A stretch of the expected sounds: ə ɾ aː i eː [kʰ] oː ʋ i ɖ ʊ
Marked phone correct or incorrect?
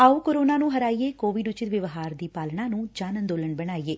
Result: incorrect